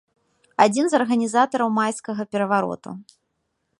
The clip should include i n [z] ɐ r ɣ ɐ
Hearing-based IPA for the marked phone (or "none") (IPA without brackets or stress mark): z